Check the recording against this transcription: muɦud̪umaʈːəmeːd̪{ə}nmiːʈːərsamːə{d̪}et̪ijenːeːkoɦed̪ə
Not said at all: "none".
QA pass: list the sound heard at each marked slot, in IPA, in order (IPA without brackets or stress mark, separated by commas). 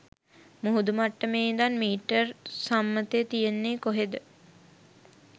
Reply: a, t̪